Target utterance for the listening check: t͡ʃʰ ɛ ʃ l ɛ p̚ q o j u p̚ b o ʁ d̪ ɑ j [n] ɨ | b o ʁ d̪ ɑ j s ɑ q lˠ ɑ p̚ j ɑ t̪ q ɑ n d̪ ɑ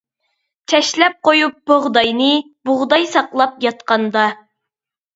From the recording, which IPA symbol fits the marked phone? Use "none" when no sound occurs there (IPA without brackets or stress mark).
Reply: n